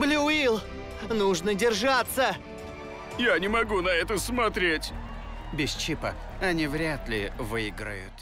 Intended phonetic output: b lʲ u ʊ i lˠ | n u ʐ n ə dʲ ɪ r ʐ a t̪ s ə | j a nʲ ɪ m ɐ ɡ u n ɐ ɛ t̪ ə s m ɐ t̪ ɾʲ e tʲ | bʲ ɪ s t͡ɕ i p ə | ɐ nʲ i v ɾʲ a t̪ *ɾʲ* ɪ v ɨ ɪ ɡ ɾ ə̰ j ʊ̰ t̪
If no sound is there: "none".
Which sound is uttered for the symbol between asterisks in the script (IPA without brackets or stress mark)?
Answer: lʲ